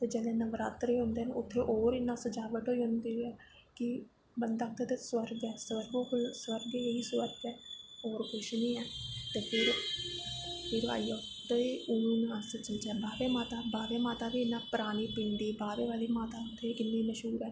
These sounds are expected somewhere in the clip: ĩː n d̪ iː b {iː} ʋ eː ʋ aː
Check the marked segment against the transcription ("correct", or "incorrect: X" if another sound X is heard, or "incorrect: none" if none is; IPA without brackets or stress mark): incorrect: aː